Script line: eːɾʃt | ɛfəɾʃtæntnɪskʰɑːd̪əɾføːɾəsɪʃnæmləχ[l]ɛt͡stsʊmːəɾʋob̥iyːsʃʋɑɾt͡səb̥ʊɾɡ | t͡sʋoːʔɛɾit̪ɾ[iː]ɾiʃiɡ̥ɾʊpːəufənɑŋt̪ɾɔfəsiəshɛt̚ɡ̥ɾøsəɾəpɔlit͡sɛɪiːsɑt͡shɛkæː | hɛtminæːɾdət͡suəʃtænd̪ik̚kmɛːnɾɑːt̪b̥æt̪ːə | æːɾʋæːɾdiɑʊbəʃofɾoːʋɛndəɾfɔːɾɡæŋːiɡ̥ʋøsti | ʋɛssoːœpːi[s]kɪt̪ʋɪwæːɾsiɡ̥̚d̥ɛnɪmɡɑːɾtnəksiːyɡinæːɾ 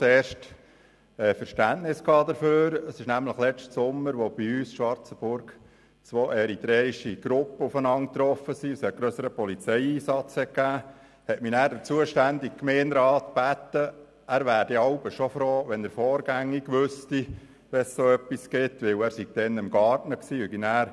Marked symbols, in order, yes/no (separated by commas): yes, no, yes